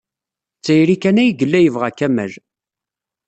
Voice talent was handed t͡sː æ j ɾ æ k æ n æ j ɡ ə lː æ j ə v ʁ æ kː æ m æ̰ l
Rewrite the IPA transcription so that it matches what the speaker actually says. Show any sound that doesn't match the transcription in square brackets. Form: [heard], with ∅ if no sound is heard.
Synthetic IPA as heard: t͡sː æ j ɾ [i] k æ n æ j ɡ ə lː æ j ə v ʁ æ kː æ m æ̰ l